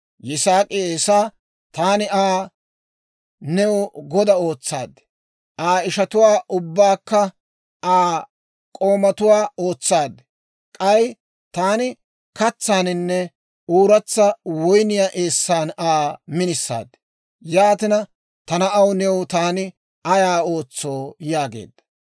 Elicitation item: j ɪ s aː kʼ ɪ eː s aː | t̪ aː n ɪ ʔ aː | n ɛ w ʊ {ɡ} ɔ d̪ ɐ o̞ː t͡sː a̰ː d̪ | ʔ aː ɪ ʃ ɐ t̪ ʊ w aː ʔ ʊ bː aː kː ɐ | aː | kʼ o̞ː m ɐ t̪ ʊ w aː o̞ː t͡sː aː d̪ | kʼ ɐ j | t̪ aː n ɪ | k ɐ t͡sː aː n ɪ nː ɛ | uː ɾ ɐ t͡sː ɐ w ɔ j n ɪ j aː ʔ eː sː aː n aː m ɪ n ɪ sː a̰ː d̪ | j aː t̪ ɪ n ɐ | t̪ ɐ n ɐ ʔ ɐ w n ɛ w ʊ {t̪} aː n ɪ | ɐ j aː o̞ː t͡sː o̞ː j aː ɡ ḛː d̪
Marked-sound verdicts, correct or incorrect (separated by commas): correct, correct